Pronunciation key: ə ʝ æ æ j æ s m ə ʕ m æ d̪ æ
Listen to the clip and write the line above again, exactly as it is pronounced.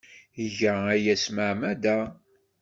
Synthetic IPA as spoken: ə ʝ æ æ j æ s m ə ʕ m æ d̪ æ